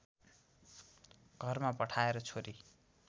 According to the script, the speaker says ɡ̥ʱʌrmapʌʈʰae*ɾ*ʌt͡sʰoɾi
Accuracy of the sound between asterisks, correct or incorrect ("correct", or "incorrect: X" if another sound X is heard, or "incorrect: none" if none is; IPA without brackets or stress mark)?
correct